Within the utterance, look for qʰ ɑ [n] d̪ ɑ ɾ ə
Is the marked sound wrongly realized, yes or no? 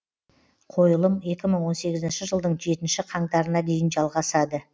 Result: yes